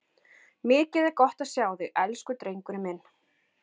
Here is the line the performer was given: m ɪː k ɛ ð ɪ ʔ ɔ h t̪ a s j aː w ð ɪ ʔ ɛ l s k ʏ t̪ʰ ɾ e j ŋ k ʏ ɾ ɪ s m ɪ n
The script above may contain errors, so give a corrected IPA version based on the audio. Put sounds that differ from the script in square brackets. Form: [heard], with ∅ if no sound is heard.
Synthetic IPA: m ɪː [c] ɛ ð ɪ [k] ɔ h t̪ a s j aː w ð ɪ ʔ ɛ l s k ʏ [t̪] ɾ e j ŋ k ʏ ɾ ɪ [∅] m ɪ n